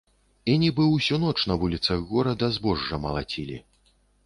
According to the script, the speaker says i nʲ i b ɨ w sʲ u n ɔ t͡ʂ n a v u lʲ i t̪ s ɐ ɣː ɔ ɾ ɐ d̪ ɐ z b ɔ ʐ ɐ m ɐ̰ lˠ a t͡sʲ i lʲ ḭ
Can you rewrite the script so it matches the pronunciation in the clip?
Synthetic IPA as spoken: i nʲ i b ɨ w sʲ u n ɔ t͡ʂ n ɐ v u lʲ i t̪ s ɐ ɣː ɔ ɾ ɐ d̪ ɐ z b ɔ ʐː ɐ m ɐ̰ lˠ a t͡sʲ i lʲ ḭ

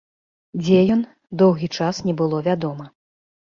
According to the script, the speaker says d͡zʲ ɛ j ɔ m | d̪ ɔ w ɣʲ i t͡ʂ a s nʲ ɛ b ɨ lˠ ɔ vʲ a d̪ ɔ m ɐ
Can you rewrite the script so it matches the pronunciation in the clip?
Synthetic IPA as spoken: d͡zʲ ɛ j ɔ n | d̪ ɔ w ɣʲ i t͡ʂ a s nʲ ɛ b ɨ lˠ ɔ vʲ a d̪ ɔ m ɐ

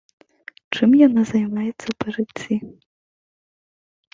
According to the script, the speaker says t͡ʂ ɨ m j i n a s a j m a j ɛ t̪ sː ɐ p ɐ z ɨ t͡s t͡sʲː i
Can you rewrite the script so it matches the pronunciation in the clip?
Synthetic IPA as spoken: t͡ʂ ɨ m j a n a z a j m a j ɛ t̪ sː ɐ p ɐ ʐ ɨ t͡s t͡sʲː i

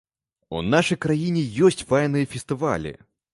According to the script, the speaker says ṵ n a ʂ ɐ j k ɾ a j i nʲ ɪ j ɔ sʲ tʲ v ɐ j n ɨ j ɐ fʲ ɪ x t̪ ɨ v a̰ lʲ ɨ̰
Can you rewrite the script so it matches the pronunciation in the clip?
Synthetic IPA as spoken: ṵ n a ʂ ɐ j k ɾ a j i nʲ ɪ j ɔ sʲ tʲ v a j n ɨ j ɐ fʲ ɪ s t̪ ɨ v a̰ lʲ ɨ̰

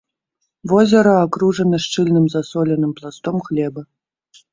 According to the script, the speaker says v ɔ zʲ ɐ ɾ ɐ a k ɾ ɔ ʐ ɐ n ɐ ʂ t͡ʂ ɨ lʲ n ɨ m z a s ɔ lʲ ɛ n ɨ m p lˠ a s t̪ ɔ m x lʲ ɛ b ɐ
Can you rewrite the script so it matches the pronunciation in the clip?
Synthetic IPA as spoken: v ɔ zʲ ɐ ɾ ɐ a k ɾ u ʐ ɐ n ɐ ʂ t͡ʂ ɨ lʲ n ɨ m z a s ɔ lʲ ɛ n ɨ m p lˠ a s t̪ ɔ m x lʲ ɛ b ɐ

